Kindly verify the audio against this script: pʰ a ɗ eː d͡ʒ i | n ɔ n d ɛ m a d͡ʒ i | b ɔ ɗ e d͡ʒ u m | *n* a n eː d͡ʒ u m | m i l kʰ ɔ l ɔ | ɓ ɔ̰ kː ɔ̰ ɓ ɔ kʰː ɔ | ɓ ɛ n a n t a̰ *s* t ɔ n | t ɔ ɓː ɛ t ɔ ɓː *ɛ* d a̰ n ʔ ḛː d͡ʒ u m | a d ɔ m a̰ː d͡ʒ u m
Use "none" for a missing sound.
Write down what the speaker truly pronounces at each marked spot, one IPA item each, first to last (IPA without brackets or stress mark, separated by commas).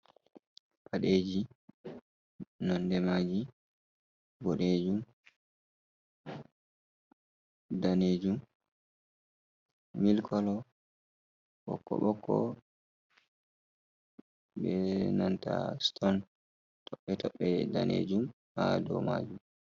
d, s, ɛ